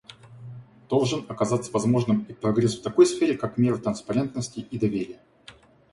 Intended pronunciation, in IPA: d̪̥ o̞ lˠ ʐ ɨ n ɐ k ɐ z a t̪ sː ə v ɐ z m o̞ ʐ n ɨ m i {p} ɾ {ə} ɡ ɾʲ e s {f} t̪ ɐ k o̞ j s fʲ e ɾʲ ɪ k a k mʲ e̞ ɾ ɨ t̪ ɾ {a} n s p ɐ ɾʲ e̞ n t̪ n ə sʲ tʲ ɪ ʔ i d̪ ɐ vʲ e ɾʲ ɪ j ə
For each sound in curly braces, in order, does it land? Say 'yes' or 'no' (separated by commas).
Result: yes, no, yes, no